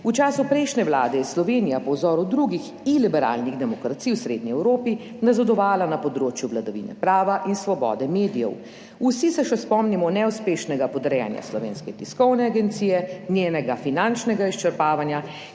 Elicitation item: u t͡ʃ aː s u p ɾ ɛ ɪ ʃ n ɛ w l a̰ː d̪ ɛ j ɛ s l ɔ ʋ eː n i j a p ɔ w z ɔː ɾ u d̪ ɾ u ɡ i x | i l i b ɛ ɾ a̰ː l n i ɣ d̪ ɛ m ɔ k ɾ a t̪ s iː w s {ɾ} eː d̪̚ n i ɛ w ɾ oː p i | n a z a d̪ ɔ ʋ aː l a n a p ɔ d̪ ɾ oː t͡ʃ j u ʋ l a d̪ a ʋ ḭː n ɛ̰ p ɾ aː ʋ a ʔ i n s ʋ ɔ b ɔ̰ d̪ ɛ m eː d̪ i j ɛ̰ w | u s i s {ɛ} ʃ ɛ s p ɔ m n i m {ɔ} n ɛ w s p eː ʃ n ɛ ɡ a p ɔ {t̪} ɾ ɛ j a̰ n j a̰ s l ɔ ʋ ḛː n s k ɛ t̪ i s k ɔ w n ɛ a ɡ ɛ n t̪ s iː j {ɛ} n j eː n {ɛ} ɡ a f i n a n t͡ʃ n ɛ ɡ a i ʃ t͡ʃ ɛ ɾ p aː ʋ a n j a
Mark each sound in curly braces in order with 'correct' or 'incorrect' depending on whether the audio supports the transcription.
correct, correct, correct, incorrect: d̪, correct, correct

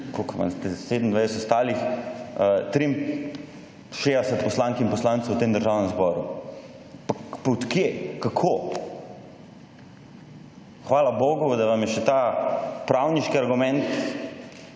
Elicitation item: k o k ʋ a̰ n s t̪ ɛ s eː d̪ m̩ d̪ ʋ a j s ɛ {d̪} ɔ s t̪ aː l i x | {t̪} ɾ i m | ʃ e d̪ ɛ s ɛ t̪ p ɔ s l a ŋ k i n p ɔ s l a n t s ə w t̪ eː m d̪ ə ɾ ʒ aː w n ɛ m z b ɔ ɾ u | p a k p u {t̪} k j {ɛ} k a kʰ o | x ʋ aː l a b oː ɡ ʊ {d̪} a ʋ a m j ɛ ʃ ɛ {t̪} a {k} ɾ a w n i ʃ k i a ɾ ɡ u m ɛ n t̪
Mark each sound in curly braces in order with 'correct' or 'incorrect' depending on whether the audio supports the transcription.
incorrect: t̪, correct, correct, incorrect: e, correct, correct, incorrect: p

